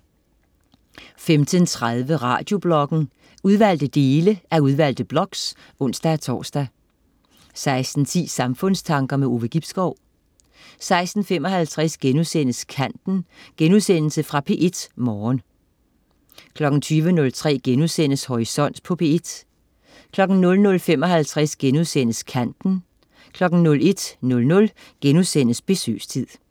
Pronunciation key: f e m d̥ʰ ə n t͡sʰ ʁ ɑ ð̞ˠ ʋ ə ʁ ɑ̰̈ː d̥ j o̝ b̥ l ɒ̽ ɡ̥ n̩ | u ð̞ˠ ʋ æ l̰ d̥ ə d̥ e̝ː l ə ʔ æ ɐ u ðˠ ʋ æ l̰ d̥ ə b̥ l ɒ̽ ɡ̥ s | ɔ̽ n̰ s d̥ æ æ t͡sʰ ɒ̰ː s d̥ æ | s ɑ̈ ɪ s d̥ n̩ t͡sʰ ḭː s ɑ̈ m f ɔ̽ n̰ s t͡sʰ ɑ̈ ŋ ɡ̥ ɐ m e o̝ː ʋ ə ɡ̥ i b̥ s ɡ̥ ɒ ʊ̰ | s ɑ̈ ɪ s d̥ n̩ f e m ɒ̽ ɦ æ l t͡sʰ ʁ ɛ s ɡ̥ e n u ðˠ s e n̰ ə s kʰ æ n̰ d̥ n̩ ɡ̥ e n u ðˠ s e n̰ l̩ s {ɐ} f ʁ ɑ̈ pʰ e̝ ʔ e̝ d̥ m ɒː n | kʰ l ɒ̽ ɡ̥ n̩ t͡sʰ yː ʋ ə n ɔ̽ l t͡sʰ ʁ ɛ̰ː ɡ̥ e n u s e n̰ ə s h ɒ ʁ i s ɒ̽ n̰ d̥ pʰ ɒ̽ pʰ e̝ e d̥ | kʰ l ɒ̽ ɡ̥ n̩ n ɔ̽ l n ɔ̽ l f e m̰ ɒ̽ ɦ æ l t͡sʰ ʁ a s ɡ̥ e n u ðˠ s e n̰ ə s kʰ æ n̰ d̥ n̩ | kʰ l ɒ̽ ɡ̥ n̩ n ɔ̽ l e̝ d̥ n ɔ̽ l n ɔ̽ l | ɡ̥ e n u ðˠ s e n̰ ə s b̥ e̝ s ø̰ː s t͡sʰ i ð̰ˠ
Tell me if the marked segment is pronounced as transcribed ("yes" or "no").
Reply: no